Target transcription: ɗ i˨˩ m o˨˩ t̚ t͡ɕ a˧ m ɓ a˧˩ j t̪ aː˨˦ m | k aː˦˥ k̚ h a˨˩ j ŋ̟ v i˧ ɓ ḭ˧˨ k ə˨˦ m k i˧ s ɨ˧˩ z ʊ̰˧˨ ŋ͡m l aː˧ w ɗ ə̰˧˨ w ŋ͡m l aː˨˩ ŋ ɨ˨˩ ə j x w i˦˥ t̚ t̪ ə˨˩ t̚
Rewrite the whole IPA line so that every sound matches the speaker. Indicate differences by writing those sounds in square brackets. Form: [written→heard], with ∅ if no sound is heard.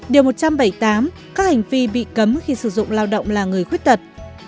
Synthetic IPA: ɗ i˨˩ m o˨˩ t̚ t͡ɕ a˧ m ɓ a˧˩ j t̪ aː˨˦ m | k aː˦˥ k̚ h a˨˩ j ŋ̟ v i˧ ɓ ḭ˧˨ k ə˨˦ m [k→x] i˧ s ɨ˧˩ z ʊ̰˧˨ ŋ͡m l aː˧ w ɗ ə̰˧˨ w ŋ͡m l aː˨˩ ŋ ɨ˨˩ ə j x w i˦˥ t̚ t̪ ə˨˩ t̚